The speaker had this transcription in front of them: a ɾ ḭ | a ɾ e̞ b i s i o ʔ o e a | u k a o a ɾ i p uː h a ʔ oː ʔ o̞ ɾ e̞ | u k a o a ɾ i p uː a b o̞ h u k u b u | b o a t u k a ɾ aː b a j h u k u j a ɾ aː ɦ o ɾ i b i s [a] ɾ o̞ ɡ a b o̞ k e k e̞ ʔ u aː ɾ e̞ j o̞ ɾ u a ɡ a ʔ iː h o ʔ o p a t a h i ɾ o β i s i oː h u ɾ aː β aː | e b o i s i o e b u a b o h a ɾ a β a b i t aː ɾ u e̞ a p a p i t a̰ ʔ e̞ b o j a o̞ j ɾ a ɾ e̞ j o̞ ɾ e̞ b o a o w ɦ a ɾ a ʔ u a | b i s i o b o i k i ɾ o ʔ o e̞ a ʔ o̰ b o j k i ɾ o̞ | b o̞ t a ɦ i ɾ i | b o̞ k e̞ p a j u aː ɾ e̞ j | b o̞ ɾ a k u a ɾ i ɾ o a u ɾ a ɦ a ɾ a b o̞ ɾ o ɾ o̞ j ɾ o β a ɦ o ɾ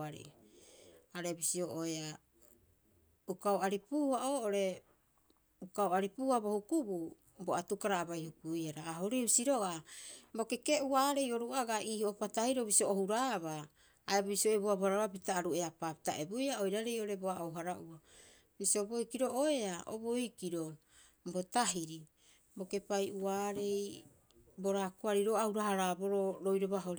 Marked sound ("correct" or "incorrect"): incorrect